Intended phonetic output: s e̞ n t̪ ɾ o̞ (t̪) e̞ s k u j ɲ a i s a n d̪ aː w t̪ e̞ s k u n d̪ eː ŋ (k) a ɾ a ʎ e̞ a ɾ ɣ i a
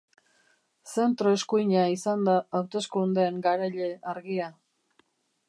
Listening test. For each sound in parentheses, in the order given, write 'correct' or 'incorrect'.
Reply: incorrect, incorrect

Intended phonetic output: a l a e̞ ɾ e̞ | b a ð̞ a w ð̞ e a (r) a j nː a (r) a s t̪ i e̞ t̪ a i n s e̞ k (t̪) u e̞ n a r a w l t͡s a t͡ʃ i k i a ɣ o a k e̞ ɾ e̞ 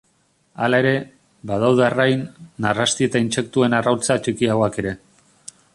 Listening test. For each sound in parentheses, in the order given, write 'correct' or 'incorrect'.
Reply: correct, correct, correct

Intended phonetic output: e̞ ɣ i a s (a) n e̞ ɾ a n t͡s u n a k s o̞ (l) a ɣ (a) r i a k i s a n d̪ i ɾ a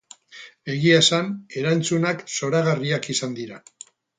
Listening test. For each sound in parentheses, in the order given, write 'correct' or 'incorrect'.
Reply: correct, incorrect, correct

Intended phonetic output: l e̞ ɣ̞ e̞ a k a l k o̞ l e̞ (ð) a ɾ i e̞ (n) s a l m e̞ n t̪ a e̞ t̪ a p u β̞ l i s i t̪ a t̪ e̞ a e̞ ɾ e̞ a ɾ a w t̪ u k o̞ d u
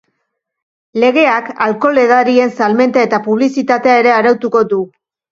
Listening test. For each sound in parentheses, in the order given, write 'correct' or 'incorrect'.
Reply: correct, correct

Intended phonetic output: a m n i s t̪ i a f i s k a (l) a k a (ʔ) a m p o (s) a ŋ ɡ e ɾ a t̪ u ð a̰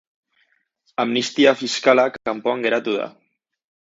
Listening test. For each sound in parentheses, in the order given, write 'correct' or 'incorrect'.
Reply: correct, incorrect, incorrect

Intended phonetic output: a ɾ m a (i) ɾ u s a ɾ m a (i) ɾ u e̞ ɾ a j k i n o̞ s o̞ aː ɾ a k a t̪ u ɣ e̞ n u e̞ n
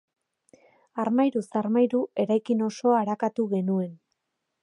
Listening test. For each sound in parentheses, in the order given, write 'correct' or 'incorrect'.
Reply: incorrect, incorrect

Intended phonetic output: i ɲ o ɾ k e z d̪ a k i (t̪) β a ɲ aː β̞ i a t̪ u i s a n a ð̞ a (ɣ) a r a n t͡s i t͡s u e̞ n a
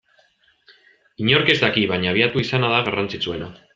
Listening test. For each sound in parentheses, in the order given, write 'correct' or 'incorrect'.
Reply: incorrect, correct

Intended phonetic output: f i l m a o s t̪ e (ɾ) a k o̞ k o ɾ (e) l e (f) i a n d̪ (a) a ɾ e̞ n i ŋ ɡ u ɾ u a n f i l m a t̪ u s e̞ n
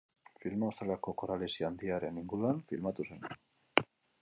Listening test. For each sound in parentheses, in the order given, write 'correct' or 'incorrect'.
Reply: incorrect, incorrect, incorrect, incorrect

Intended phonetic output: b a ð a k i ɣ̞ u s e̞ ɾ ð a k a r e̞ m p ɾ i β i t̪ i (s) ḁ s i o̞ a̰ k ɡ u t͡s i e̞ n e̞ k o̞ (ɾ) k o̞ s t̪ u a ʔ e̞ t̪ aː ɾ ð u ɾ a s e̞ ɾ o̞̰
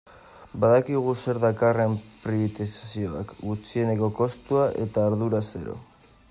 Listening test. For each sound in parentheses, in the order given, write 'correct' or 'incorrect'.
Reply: correct, incorrect

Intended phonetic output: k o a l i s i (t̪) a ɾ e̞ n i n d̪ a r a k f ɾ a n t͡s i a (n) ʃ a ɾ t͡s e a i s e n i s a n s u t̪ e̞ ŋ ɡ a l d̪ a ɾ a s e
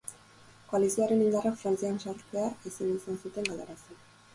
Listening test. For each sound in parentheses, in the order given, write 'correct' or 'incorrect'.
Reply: incorrect, correct

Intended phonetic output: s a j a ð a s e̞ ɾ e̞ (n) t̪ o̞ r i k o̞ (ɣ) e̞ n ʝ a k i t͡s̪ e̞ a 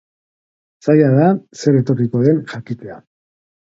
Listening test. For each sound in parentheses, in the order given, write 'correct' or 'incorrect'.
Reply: incorrect, incorrect

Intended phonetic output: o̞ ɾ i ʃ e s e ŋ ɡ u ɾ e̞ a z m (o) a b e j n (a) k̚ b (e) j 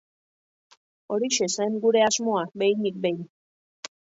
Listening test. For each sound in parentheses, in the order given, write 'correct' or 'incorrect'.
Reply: correct, incorrect, correct

